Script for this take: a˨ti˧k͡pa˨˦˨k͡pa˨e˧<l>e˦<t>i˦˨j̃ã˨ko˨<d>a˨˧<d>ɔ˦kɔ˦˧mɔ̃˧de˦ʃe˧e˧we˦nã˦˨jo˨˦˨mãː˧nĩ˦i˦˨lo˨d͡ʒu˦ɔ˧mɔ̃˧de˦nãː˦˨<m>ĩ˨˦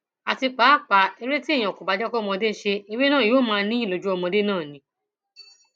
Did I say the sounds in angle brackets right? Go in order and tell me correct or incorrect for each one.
incorrect, correct, incorrect, incorrect, incorrect

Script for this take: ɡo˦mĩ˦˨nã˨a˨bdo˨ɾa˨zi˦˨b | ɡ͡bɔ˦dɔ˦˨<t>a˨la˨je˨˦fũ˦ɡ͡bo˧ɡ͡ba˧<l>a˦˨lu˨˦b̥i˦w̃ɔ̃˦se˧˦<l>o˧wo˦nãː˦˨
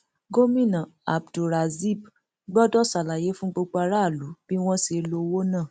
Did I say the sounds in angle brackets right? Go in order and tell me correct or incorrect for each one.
incorrect, incorrect, correct

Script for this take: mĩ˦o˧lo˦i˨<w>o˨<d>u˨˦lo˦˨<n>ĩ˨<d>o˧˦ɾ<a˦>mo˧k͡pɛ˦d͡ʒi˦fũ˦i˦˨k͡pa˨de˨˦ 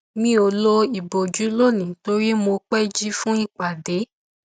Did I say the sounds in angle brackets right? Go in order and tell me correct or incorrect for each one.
incorrect, incorrect, correct, incorrect, incorrect

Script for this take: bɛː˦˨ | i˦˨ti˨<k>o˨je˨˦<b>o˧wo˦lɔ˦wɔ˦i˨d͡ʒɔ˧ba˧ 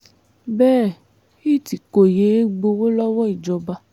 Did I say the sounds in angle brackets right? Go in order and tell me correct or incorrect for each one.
correct, incorrect

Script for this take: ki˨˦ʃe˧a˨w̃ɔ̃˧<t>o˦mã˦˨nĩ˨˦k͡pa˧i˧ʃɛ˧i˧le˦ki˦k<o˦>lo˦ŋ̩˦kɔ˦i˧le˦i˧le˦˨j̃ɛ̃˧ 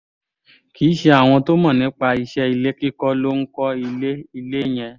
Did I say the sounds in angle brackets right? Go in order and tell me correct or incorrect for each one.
correct, incorrect

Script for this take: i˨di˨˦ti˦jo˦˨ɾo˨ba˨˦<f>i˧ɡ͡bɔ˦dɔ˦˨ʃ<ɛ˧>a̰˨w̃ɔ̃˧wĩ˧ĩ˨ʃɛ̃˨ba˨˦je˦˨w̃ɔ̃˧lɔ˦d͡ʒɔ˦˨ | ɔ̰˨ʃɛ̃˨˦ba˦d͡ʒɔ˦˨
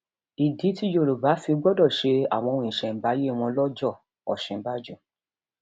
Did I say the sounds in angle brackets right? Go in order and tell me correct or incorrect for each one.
correct, incorrect

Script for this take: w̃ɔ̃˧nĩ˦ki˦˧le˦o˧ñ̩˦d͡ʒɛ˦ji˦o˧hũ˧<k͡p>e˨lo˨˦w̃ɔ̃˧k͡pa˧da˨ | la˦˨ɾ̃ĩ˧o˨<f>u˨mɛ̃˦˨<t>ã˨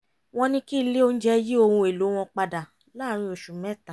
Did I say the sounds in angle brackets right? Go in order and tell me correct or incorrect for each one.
incorrect, incorrect, correct

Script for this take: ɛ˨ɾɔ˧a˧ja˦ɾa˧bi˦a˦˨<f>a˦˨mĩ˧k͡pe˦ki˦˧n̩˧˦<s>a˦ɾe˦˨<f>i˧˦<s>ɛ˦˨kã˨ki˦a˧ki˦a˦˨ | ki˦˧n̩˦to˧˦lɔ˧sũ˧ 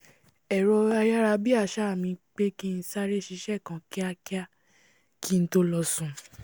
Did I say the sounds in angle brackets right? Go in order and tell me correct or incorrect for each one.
incorrect, correct, incorrect, incorrect

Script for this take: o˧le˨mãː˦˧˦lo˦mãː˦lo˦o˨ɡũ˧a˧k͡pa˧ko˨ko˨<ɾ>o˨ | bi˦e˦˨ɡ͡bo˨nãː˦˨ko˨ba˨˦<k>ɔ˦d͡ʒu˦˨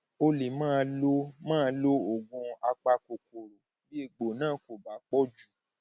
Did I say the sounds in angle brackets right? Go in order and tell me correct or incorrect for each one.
correct, incorrect

